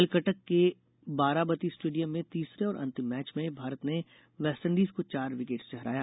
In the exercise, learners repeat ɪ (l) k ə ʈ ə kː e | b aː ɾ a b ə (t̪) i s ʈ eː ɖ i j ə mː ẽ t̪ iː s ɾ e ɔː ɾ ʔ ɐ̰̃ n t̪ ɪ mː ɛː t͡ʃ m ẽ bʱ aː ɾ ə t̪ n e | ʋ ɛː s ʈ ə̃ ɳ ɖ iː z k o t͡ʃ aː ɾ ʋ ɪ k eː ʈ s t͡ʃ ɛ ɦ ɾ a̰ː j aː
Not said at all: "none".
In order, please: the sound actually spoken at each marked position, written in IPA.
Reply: l, t̪

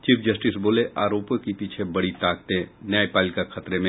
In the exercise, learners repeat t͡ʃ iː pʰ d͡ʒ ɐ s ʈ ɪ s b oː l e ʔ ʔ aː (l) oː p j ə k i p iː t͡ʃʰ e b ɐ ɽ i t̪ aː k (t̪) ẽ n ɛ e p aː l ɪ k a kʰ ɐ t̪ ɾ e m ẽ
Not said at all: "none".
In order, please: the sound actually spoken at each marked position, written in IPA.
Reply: ɾ, t̪

